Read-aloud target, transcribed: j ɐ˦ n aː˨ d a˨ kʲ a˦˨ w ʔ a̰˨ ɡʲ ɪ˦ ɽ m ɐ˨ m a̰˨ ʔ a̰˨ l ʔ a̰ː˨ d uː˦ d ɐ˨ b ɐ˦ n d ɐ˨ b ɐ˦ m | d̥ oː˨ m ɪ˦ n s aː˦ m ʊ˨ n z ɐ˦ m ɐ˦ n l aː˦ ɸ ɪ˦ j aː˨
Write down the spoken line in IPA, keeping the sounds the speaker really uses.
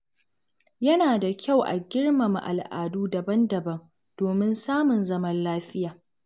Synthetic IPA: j ɐ˦ n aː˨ d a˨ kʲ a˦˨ w ʔ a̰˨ ɡʲ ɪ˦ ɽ m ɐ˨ m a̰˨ ʔ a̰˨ l ʔ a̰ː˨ d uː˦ d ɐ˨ b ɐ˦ n d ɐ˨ b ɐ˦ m | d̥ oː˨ m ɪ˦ n s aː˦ m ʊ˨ n z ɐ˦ m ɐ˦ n l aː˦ ɸ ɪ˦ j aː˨